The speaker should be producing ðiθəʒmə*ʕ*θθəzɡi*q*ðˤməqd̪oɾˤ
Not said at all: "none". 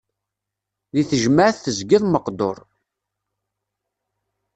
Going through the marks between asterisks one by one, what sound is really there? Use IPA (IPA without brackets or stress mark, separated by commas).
ʕ, none